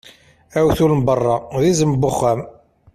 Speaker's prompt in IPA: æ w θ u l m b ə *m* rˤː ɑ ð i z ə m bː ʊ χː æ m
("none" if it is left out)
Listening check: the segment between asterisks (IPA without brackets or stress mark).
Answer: none